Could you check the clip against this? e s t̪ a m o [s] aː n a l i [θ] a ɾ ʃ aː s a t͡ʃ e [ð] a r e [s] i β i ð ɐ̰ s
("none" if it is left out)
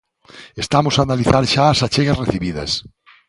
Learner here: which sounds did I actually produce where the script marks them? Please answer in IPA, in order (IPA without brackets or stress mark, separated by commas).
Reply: s, θ, ɣ, θ